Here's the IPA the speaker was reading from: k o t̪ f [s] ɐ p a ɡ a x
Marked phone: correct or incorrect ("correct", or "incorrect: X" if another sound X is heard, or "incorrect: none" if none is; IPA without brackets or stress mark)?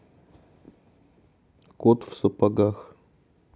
correct